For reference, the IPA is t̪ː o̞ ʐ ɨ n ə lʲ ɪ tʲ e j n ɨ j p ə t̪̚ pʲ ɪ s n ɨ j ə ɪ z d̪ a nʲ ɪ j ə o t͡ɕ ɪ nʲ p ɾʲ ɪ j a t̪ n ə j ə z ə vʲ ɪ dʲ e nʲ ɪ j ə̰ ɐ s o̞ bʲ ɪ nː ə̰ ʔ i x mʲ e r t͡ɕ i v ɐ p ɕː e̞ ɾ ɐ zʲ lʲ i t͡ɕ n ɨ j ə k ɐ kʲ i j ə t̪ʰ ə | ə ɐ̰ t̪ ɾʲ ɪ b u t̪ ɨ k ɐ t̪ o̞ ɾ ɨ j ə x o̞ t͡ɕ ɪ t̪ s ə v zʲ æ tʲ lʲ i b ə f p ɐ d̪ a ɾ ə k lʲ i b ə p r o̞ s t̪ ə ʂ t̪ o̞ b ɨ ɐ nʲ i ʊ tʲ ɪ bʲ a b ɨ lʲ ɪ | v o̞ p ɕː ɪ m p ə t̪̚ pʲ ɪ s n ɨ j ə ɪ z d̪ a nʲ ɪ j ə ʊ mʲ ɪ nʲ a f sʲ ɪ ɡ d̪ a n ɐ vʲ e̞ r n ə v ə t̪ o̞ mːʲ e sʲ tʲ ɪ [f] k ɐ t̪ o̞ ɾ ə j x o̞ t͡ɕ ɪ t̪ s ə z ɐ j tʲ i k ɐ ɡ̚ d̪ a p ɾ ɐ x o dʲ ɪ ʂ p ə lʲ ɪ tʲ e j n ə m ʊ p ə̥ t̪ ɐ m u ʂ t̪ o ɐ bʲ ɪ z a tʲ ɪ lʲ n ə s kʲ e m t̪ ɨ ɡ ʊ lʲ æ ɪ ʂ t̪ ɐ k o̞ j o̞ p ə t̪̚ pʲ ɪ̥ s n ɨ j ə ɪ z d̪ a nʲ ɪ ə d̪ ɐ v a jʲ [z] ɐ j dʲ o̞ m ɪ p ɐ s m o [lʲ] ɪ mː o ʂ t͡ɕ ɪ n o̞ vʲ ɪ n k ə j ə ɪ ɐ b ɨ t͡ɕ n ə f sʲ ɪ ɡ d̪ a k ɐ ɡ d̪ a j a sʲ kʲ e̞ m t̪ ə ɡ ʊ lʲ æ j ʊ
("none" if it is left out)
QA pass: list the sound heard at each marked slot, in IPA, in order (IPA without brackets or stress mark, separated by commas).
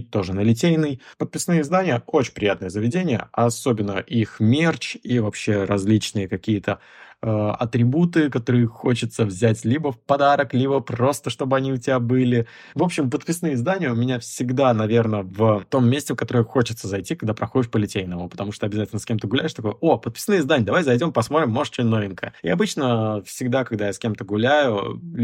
f, z, ɾʲ